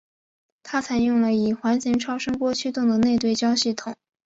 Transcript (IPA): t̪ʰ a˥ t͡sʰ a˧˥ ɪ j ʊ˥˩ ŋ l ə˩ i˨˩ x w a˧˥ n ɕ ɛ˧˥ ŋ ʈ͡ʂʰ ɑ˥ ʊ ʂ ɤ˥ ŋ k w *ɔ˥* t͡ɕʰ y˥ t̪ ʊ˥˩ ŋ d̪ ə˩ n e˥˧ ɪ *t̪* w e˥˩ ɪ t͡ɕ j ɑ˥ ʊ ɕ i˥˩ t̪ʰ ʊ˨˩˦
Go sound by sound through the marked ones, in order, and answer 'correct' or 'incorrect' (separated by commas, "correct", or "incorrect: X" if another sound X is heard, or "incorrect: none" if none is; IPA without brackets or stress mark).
correct, correct